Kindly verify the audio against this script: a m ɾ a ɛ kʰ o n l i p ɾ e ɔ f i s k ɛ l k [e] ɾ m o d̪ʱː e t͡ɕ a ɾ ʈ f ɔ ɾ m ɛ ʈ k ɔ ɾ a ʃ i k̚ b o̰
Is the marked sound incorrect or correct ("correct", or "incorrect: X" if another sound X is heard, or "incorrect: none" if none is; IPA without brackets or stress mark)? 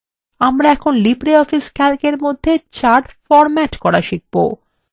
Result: correct